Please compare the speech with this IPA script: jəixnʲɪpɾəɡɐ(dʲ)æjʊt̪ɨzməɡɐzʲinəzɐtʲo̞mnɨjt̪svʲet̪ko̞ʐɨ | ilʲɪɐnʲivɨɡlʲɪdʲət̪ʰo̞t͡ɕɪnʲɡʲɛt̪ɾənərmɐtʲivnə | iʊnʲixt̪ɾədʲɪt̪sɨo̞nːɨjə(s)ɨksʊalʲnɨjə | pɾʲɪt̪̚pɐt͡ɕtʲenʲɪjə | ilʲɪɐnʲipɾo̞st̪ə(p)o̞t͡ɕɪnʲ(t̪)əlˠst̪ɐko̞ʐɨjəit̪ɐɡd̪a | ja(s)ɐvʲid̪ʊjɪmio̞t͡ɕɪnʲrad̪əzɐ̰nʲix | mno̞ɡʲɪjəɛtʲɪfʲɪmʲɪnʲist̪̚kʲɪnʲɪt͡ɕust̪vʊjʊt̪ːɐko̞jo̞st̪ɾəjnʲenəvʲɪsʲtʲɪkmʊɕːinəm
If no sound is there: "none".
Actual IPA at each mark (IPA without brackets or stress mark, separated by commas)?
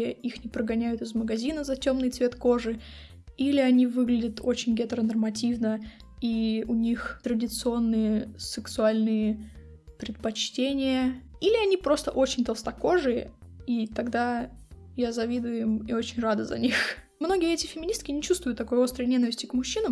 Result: nʲ, s, ʔ, t̪, z